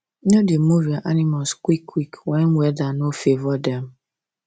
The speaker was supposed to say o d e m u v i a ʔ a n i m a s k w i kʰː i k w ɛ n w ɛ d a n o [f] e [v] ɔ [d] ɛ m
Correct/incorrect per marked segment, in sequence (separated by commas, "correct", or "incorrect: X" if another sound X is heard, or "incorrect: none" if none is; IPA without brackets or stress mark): correct, correct, correct